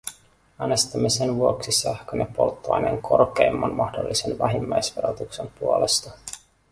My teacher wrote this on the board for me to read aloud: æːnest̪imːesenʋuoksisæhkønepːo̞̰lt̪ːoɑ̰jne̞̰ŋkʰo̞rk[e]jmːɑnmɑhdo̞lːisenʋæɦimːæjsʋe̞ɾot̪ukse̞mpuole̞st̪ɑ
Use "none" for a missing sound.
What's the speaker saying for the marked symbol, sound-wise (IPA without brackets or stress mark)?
e